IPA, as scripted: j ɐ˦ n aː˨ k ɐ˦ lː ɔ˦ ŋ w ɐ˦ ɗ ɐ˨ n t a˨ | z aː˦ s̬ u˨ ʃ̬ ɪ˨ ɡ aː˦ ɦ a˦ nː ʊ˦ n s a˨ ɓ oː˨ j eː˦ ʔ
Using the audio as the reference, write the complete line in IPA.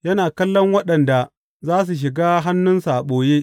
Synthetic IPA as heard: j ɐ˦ n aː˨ k ɐ˦ lː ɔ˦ ŋ w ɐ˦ ɗ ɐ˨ n d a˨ | z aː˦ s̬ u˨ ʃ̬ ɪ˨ ɡ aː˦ ɦ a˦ nː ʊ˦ n s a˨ ɓ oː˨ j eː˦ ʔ